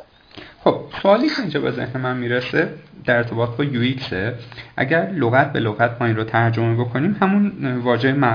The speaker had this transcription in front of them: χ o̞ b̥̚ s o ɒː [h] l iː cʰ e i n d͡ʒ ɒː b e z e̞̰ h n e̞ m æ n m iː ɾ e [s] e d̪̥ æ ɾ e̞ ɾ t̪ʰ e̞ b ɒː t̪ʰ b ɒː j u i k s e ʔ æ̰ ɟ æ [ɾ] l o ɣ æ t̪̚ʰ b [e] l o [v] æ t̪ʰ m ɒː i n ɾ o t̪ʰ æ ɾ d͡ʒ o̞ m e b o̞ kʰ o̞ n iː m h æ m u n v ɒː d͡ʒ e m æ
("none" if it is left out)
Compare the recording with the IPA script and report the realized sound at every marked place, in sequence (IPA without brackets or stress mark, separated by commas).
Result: none, s, ɾ, e, ɣ